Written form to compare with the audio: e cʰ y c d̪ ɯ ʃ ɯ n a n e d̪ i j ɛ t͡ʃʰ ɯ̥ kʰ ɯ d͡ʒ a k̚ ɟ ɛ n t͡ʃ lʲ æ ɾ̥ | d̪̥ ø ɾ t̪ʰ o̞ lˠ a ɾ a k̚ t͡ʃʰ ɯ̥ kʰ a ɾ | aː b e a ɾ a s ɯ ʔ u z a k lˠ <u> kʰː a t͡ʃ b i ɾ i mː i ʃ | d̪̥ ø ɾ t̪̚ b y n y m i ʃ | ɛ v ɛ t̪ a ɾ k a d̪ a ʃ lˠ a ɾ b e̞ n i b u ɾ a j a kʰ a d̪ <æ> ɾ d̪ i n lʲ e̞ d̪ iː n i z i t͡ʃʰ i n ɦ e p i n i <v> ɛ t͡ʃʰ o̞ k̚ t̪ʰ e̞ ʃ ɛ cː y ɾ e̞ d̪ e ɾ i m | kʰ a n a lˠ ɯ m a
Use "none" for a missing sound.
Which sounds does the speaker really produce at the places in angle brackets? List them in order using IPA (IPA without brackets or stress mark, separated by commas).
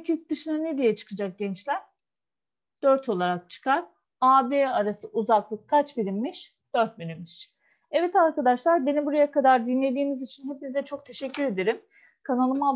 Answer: ɯ, a, z